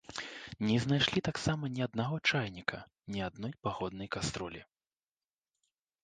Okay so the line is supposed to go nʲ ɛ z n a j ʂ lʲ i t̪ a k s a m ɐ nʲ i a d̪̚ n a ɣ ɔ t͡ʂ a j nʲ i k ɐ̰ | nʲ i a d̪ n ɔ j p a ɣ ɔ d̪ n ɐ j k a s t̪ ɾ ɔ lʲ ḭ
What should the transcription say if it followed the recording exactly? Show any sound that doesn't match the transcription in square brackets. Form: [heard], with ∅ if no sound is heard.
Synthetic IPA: nʲ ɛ z n a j ʂ lʲ i t̪ a k s a m ɐ nʲ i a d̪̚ n a ɣ ɔ t͡ʂ a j nʲ i k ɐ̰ | nʲ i a d̪ n ɔ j p a ɣ ɔ d̪ n ɐ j k a s t̪ ɾ ɔ lʲ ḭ